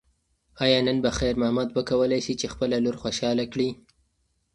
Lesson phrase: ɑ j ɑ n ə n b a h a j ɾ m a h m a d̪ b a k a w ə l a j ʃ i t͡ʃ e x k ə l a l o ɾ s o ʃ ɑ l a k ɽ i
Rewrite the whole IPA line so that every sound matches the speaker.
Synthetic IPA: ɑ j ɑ n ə n b a x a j ɾ m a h m a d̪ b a k a w ə l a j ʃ i t͡ʃ e x p ə l a l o ɾ x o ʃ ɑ l a k ɽ i